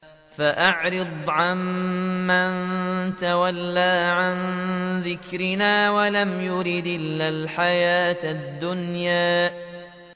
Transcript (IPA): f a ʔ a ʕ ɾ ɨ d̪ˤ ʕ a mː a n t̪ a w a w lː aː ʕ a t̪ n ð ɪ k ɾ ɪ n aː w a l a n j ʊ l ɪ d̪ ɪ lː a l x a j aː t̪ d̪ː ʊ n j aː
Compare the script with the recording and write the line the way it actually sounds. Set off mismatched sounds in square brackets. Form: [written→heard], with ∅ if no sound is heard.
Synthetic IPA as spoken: f a ʔ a ʕ ɾ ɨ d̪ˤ ʕ a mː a n t̪ a w a [w→∅] lː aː ʕ a [t̪→∅] n ð ɪ k ɾ ɪ n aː w a l a [n→m] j ʊ [l→ɾ] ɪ d̪ ɪ lː a l [x→ħ] a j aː t̪ d̪ː ʊ n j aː